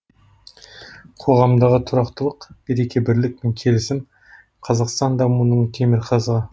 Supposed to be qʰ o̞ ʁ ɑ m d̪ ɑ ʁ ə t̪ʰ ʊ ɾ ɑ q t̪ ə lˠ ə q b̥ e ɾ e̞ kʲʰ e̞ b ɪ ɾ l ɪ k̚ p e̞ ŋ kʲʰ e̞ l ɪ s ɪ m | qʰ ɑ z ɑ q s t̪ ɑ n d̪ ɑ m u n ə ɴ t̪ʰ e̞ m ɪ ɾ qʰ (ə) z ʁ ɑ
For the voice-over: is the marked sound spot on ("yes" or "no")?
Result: no